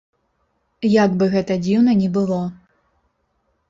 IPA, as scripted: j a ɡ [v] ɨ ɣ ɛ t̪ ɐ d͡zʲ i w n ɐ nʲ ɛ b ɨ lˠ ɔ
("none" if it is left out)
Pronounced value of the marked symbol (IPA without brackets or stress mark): b